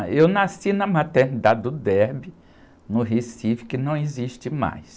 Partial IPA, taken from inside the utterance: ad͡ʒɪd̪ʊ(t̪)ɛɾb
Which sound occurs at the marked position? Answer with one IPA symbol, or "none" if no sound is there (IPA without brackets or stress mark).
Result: d̪